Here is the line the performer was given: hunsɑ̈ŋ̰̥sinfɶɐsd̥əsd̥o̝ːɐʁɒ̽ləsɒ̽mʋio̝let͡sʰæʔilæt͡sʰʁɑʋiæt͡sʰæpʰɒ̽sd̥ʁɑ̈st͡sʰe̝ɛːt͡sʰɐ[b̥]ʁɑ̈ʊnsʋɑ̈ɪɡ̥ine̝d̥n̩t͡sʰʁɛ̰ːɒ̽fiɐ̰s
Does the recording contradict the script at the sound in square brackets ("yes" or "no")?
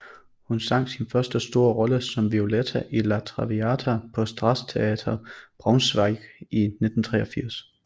no